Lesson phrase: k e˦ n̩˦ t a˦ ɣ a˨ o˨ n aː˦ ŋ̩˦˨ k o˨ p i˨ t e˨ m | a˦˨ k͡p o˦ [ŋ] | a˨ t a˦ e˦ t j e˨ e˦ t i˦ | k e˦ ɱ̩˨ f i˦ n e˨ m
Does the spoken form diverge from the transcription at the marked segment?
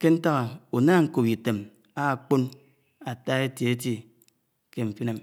yes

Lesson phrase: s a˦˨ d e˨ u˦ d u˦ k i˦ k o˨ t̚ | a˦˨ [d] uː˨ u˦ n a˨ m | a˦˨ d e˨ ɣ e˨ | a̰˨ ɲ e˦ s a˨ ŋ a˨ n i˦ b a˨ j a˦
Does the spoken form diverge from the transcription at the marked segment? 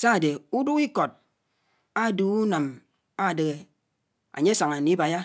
no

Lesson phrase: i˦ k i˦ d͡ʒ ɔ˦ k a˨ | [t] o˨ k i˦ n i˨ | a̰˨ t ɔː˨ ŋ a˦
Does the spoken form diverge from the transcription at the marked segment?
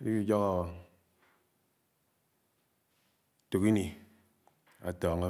no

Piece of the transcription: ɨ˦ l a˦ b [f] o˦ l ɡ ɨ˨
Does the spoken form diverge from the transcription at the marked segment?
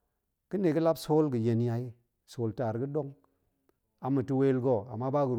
yes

